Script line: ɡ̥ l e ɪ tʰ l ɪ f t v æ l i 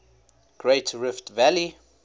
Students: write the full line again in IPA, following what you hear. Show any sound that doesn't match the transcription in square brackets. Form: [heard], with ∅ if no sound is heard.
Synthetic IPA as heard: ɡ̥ [ɹ] e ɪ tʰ [ɹ] ɪ f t v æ l i